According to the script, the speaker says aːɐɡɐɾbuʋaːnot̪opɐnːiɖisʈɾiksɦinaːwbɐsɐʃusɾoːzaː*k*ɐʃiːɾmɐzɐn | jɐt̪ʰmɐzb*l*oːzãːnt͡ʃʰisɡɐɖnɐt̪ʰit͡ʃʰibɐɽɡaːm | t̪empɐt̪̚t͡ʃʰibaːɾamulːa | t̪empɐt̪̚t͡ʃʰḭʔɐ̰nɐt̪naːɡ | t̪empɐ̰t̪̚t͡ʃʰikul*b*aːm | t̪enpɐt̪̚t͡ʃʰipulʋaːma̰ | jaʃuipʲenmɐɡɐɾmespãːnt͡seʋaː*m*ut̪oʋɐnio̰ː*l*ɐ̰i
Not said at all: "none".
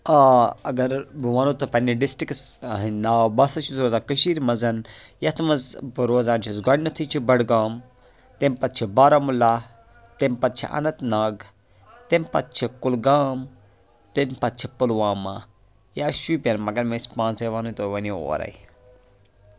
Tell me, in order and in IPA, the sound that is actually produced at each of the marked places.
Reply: k, ɾ, ɡ, n, ɾ

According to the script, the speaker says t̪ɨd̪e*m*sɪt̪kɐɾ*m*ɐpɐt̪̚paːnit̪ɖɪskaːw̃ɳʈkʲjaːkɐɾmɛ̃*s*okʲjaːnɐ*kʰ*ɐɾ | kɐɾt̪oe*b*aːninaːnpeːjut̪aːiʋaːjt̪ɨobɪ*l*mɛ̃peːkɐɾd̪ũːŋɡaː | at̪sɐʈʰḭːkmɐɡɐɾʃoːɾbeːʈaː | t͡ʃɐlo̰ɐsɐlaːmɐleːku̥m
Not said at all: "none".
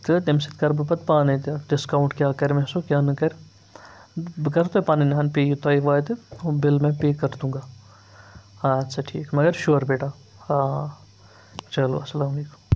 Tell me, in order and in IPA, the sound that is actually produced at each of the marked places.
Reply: m, b, s, k, p, l

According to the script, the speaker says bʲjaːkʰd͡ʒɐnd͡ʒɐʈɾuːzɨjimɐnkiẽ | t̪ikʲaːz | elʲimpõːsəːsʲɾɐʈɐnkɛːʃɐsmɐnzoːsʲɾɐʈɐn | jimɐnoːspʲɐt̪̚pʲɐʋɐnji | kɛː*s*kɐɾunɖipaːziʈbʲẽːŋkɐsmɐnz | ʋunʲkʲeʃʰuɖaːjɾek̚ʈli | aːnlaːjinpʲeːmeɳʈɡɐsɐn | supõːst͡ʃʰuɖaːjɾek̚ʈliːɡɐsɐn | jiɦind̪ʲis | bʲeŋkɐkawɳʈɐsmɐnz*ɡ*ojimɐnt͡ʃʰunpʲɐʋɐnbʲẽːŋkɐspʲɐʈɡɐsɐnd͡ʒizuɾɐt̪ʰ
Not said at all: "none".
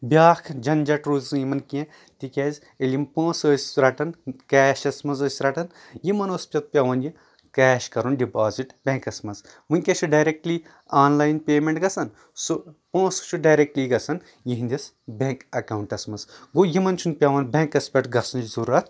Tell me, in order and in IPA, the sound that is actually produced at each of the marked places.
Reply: ʃ, ɡ

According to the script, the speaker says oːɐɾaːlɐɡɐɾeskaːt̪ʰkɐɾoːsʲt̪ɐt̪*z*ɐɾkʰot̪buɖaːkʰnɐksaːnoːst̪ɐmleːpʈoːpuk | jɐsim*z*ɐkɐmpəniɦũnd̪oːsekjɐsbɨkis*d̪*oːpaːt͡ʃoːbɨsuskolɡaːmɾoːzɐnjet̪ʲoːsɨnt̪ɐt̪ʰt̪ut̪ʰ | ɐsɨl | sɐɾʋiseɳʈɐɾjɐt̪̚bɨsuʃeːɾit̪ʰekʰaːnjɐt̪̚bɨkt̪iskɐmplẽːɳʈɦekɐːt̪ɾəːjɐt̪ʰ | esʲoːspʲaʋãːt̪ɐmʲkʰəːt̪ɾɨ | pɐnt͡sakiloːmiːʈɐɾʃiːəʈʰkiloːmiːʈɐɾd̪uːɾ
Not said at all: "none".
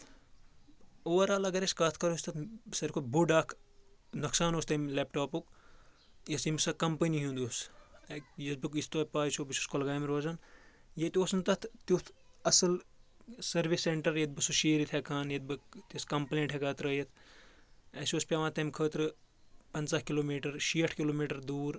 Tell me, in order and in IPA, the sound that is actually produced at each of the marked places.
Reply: s, s, t̪

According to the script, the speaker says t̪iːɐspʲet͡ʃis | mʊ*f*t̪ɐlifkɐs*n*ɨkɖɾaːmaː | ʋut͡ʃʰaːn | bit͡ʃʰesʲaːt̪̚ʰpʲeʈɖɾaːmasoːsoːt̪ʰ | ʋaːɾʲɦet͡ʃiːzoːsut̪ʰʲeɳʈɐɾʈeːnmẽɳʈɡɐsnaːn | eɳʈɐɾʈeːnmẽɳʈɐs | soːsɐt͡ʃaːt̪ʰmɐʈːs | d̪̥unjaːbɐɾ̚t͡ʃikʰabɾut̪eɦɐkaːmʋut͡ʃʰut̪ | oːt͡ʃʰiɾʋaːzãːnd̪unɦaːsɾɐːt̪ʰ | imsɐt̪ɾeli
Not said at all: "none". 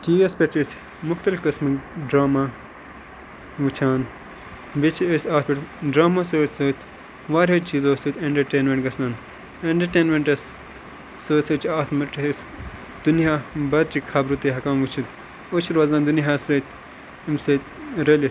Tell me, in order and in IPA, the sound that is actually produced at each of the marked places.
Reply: x, m

